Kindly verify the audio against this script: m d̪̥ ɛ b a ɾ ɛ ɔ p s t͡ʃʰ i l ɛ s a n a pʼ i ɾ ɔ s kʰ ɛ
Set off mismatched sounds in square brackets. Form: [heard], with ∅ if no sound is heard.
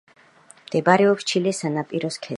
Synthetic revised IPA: m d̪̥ ɛ b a ɾ ɛ ɔ p s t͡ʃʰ i l ɛ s a n a pʼ i ɾ ɔ s kʰ ɛ

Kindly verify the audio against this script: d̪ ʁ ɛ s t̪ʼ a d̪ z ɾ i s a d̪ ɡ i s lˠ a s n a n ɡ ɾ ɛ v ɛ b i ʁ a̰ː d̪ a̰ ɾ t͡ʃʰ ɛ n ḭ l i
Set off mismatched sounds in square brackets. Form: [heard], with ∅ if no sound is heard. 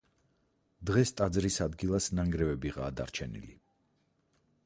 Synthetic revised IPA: d̪ ʁ ɛ s t̪ʼ a d̪ z ɾ i s a d̪ ɡ i [∅] lˠ a s n a [ŋ] ɡ ɾ ɛ v ɛ b i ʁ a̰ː d̪ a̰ ɾ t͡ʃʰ ɛ n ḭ l i

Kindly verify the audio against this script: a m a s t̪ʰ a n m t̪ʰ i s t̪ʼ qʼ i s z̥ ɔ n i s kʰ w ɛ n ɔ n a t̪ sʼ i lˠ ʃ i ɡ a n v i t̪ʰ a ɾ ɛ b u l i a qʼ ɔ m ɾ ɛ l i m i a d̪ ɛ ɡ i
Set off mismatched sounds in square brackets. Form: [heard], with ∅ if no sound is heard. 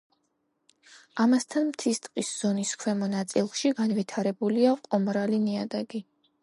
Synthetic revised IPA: a m a s t̪ʰ a n m t̪ʰ i s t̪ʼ qʼ i s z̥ ɔ n i s kʰ w ɛ [m] ɔ n a t̪ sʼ i lˠ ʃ i ɡ a n v i t̪ʰ a ɾ ɛ b u l i a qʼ ɔ m ɾ [a] l i [n] i a d̪ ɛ ɡ i

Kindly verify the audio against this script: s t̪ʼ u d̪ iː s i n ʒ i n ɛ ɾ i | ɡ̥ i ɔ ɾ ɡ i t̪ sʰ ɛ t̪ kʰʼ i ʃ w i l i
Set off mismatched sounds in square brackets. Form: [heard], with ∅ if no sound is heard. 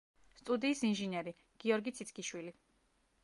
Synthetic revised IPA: s t̪ʼ u d̪ iː s i n ʒ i n ɛ ɾ i | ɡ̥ i ɔ ɾ ɡ i t̪ sʰ [i] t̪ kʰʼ i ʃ w i l i

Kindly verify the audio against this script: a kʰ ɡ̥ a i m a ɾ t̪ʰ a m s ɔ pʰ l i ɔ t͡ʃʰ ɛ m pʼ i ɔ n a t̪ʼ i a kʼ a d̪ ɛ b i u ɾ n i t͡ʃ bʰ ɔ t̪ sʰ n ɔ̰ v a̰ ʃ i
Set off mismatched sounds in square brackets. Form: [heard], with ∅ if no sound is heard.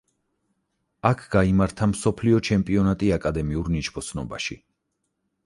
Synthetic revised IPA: a kʰ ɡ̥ a i m a ɾ t̪ʰ a m s ɔ pʰ l i ɔ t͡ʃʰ ɛ m pʼ i ɔ n a t̪ʼ i a kʼ a d̪ ɛ [m] i u ɾ n i t͡ʃ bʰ ɔ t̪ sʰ n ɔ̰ [b] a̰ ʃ i

